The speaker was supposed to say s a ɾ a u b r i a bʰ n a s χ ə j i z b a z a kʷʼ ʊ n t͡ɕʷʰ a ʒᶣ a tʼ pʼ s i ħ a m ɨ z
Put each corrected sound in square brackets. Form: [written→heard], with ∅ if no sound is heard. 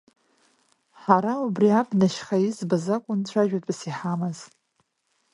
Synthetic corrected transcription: [s→ħ] a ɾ a u b r i a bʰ n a [s→ʃ] χ [ə→a] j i z b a z a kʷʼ ʊ n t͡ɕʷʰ a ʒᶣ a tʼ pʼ s i ħ a m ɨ z